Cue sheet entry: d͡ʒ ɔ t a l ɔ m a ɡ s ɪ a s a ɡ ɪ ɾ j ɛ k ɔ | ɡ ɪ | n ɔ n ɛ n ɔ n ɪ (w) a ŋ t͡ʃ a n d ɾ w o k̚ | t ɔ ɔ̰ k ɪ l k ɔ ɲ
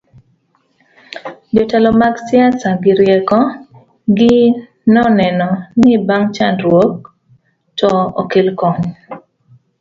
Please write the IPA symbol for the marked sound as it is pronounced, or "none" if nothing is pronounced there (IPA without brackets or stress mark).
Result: b